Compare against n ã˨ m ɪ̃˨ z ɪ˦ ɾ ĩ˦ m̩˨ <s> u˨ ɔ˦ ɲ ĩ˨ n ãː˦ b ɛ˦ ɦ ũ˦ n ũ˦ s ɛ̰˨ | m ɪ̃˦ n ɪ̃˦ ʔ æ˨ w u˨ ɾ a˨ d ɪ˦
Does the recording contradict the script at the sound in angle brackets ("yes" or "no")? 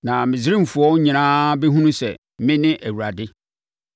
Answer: yes